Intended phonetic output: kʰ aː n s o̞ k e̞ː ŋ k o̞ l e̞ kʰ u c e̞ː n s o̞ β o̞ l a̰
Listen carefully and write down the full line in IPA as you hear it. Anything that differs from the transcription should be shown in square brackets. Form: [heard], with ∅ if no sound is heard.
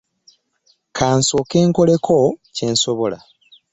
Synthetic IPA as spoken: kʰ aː n s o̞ k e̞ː ŋ k o̞ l e̞ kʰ [o] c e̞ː n s o̞ β o̞ l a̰